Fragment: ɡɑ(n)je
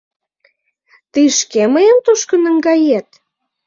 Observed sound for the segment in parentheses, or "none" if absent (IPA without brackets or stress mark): none